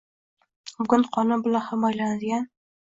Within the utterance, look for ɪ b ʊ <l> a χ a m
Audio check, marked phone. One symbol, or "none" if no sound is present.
l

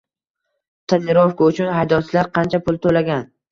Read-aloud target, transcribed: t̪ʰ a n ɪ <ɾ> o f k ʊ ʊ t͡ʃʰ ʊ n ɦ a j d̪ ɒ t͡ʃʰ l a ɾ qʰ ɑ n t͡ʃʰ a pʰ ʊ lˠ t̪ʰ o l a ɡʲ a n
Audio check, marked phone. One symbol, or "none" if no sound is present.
ɾ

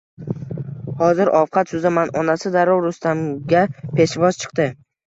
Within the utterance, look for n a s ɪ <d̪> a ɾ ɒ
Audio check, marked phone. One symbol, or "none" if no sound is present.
d̪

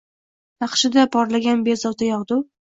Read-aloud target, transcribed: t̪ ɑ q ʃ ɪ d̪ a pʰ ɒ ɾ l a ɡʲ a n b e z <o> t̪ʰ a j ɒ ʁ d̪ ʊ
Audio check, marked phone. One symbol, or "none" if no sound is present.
ɒ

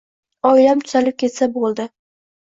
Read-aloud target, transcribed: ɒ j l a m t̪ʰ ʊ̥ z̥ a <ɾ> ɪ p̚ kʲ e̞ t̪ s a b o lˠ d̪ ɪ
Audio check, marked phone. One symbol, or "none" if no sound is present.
l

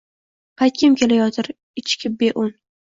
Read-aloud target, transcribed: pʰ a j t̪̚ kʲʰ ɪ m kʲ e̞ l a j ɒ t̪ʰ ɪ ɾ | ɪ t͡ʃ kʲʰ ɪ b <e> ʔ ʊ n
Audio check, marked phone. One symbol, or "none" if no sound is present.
e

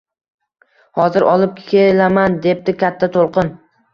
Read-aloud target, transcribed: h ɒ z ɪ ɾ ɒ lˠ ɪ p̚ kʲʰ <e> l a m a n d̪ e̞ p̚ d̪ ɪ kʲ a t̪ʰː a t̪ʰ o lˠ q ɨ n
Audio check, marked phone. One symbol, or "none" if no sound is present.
e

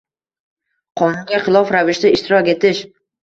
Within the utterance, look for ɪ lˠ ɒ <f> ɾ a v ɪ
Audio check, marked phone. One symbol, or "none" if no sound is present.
f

